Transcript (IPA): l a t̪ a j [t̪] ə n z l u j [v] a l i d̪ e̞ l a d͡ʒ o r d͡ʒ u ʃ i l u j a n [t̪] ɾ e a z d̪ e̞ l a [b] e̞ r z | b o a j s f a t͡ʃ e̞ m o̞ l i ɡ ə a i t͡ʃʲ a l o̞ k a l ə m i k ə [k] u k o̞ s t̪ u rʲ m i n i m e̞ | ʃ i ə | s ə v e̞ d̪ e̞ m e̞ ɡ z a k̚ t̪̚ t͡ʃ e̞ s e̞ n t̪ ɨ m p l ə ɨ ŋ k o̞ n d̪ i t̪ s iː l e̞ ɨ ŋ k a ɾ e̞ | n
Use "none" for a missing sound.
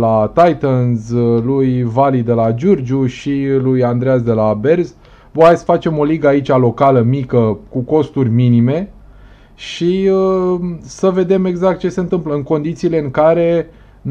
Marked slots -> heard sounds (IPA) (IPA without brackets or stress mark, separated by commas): t̪, v, d̪, b, k